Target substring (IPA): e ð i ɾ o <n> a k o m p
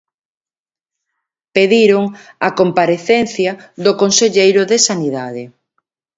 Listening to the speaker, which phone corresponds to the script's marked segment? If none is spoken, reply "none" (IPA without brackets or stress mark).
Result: ŋ